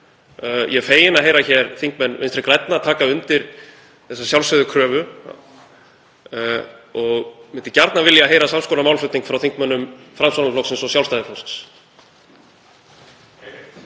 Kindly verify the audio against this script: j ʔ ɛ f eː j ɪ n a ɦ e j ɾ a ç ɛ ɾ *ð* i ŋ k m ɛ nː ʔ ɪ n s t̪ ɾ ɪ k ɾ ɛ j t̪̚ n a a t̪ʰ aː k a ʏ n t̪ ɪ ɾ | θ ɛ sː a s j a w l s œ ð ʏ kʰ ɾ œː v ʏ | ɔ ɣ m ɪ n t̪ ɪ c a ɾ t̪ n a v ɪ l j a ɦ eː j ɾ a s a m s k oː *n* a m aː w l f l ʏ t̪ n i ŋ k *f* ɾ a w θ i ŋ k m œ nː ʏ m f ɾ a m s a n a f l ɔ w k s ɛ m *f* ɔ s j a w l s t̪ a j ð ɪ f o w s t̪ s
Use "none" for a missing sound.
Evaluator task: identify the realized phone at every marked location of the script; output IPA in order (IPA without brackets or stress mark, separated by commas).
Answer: θ, n, f, s